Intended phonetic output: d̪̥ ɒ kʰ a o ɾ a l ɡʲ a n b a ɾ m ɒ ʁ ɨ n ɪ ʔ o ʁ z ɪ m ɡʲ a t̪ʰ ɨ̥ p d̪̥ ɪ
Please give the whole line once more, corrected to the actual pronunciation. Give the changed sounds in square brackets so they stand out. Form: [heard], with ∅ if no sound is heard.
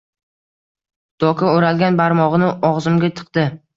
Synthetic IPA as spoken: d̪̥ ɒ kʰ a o ɾ a l ɡʲ a n b a ɾ m ɒ ʁ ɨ n ɪ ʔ [ɒ] ʁ z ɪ m ɡʲ a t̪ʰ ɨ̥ [q] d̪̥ ɪ